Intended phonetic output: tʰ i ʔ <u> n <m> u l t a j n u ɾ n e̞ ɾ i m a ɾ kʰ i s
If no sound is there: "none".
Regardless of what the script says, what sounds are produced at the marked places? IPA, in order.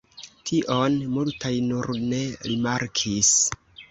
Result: o, m

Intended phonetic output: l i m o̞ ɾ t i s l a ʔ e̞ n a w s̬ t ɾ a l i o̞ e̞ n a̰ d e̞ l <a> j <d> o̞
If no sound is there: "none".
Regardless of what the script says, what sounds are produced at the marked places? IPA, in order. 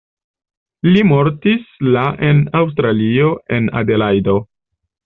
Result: a, d

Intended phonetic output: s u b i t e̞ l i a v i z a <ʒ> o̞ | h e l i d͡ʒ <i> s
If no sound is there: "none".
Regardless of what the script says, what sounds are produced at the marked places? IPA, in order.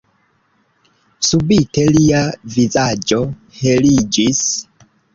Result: d͡ʒ, i

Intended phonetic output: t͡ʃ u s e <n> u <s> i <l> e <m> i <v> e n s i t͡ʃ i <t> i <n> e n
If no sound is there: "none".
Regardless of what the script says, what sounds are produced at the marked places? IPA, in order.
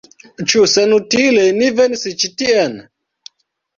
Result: n, t, l, n, v, t, none

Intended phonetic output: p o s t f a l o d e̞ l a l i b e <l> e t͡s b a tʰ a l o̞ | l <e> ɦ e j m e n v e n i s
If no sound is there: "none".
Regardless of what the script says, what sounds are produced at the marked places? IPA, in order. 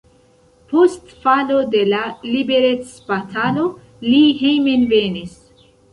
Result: ɾ, i

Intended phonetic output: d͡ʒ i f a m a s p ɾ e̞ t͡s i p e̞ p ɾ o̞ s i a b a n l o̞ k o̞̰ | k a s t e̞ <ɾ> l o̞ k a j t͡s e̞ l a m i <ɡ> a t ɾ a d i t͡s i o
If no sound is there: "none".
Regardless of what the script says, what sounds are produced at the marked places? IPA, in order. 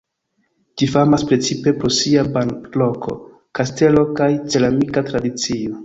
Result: none, k

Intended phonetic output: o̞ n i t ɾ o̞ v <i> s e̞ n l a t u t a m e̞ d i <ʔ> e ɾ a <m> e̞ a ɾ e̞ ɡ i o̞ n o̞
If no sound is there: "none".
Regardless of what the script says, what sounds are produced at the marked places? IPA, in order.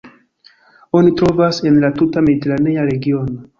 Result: a, t, n

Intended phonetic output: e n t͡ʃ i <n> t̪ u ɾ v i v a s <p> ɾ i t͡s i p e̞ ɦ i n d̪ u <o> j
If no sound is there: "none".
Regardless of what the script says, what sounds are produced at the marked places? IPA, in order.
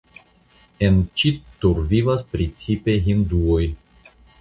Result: none, p, o

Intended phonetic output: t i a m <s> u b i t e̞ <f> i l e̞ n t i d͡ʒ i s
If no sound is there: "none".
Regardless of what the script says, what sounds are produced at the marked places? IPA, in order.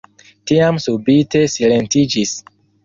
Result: s, s

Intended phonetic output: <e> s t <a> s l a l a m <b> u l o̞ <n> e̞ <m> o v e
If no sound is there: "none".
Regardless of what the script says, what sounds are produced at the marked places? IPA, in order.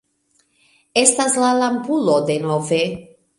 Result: e, a, p, d, n

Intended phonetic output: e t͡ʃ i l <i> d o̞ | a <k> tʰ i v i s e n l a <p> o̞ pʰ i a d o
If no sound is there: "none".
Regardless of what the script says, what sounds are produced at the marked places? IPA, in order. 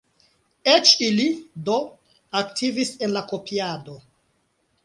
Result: i, k, k

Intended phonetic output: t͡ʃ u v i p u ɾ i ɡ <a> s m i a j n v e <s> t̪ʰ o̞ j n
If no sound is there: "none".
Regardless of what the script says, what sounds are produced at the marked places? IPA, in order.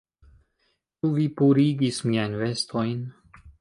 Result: i, s

